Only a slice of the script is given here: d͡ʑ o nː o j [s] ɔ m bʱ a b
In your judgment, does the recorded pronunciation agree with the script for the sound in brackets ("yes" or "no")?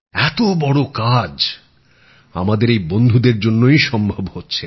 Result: no